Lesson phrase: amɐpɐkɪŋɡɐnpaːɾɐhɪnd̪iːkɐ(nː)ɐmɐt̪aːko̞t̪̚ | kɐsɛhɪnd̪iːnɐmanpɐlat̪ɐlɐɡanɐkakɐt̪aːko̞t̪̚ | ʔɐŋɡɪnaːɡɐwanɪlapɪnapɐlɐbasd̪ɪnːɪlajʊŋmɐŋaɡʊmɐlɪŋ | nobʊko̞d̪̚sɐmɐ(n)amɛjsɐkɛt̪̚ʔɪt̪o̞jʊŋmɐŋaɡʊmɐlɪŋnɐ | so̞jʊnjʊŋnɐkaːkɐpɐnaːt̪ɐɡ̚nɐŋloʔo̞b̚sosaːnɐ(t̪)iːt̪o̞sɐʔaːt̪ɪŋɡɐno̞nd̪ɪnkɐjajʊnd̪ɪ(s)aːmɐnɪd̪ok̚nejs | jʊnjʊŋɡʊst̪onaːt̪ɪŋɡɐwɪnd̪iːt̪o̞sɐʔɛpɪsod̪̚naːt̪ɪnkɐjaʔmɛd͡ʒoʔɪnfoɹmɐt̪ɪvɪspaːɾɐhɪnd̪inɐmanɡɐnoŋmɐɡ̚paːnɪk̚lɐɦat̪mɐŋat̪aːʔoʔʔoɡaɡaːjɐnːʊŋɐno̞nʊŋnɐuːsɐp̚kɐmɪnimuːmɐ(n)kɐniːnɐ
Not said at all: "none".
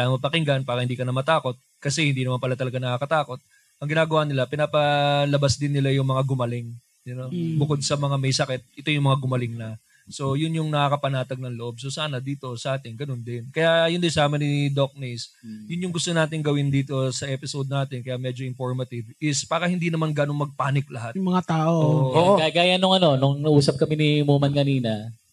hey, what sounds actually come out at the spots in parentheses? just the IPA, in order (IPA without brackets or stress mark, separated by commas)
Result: n, ŋ, d̪, s, n